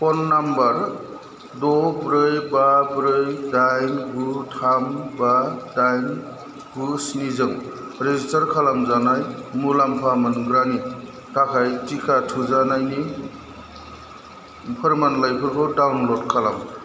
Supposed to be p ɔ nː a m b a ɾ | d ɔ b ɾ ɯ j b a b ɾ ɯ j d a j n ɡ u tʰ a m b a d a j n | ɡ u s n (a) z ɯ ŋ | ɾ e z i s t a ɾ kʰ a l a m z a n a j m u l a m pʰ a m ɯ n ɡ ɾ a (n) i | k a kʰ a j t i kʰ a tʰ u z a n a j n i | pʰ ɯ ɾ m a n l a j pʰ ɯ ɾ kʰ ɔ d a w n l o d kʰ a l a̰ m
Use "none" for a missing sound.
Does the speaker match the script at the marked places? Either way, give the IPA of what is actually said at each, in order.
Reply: i, n

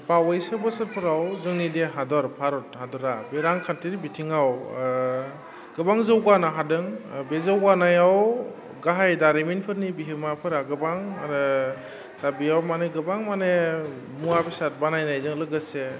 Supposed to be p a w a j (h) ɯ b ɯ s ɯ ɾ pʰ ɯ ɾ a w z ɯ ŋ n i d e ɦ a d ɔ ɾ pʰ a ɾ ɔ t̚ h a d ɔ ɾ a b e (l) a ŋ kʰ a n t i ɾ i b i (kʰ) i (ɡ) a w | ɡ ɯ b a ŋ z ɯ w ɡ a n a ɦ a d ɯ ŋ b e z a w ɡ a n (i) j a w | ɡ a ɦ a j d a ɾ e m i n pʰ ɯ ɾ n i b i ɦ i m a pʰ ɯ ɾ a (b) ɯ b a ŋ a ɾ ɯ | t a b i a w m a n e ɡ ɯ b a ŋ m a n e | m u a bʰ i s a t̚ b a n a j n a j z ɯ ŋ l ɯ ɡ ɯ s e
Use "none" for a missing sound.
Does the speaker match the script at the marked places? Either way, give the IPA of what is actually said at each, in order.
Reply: s, ɾ, tʰ, ŋ, a, ɡ

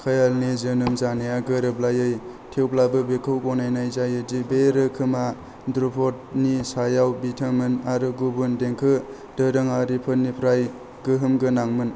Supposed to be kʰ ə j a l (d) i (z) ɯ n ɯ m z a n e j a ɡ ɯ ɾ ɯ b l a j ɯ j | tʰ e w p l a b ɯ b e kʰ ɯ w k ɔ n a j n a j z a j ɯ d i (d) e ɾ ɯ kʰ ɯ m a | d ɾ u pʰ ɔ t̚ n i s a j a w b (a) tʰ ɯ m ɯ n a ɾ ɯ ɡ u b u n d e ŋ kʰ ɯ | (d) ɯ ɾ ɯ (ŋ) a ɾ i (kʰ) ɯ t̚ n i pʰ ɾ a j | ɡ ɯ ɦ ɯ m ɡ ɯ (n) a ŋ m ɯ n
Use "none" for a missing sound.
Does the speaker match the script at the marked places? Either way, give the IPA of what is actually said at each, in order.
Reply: n, z, b, i, d, ŋ, pʰ, n

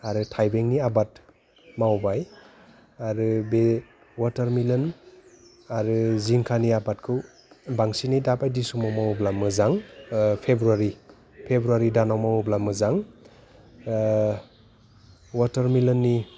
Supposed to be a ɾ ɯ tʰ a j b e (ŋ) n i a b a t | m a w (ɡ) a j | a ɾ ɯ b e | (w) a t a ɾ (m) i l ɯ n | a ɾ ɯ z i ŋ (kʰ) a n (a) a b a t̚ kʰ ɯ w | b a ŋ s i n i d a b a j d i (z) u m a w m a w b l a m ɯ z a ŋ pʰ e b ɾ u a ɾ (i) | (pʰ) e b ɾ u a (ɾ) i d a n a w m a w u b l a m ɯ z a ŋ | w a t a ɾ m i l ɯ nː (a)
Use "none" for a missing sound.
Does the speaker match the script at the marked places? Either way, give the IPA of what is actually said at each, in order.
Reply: ŋ, b, w, m, kʰ, i, s, i, pʰ, ɾ, i

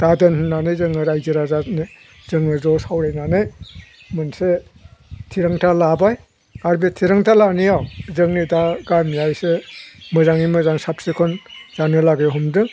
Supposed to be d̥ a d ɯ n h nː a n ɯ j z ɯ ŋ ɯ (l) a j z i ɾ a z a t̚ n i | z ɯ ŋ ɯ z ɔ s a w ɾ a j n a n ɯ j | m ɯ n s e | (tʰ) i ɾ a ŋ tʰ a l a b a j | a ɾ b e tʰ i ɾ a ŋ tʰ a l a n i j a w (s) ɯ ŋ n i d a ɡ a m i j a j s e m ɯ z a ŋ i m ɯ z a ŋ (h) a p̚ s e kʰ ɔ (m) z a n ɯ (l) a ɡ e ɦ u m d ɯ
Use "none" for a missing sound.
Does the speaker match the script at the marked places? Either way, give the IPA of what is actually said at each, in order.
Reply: ɾ, tʰ, z, s, n, l

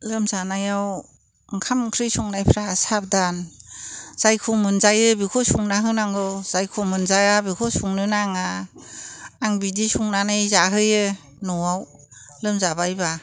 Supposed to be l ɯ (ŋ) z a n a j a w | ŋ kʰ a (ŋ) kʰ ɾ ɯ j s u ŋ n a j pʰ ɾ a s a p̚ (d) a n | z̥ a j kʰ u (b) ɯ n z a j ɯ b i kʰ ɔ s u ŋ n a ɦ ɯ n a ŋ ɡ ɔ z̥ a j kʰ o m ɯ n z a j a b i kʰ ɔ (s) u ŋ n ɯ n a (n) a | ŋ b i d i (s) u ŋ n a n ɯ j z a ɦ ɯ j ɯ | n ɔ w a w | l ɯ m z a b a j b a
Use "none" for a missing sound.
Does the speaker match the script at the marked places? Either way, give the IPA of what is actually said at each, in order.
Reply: m, m, d, m, s, ŋ, s

